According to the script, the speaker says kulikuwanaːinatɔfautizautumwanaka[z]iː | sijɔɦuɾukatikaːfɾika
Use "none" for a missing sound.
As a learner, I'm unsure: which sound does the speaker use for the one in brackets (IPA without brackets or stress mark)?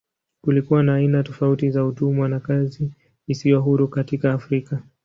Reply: z